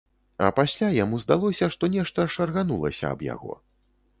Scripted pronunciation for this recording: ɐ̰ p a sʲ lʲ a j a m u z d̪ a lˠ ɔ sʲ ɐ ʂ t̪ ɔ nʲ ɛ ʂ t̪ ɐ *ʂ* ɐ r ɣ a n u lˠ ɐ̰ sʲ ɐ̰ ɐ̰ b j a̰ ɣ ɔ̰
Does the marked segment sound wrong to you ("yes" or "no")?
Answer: no